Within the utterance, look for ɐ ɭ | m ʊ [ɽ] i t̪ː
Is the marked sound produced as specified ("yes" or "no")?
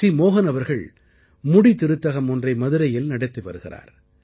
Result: yes